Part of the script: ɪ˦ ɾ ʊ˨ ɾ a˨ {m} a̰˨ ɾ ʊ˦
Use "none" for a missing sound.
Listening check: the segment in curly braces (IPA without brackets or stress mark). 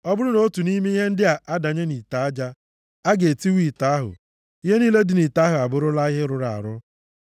none